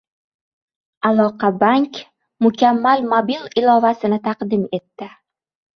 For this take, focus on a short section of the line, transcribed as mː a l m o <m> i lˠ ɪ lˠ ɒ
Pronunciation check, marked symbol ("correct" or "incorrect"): incorrect